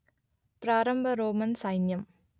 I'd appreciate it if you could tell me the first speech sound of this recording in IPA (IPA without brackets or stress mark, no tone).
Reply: p